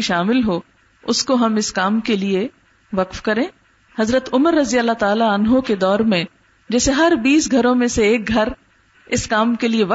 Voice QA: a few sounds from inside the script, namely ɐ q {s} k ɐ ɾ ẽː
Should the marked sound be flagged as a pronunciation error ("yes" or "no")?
yes